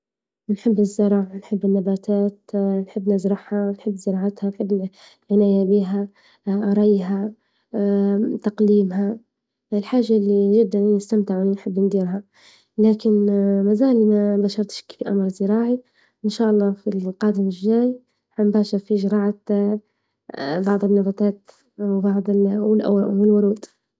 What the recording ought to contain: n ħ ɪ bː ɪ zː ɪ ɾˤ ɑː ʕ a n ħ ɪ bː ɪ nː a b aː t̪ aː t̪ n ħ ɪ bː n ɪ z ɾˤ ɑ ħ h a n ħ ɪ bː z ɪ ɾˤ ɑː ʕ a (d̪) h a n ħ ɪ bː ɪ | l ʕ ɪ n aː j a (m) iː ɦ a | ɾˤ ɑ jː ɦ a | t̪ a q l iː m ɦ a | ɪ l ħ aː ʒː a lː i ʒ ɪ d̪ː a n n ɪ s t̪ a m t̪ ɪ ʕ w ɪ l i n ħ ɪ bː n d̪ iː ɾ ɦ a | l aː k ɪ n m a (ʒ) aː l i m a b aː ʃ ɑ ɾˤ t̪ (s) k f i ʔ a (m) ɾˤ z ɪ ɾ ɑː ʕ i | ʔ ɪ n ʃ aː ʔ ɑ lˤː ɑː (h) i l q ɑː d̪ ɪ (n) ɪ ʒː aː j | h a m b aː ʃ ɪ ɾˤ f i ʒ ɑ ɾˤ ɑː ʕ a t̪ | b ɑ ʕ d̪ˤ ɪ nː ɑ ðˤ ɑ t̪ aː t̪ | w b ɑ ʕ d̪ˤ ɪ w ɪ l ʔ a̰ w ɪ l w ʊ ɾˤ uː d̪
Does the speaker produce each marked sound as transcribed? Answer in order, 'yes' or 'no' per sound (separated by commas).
no, no, no, no, yes, no, no